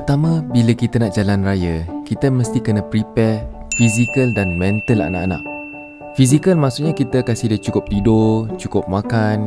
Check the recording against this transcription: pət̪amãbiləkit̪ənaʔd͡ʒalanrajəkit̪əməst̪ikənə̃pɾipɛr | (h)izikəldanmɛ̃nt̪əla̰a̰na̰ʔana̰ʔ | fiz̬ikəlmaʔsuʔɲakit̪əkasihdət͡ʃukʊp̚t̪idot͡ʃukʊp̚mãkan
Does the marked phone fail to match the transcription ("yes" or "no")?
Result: yes